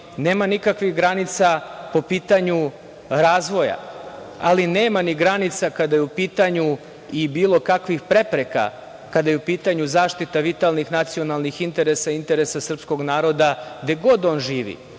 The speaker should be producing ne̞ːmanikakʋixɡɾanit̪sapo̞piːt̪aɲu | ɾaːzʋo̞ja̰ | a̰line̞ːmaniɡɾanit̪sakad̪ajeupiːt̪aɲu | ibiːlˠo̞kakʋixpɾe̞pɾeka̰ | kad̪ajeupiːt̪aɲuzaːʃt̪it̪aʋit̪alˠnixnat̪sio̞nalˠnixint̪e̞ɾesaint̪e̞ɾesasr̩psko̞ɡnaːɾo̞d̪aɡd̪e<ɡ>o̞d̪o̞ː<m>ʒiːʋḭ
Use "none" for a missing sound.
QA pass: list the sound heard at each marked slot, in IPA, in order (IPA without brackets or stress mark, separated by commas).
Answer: ɡ, n